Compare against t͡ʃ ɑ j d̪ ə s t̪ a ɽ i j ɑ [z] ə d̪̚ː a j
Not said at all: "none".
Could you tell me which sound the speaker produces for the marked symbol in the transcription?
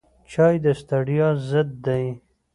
z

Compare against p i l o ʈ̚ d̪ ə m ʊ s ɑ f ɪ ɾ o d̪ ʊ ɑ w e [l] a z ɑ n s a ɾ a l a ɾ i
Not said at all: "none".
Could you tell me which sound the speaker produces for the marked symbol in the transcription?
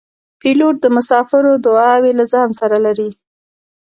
l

